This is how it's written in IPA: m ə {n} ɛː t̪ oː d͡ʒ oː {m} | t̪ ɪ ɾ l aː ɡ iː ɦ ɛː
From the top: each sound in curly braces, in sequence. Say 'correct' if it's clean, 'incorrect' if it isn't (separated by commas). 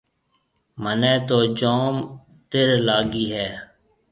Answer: correct, correct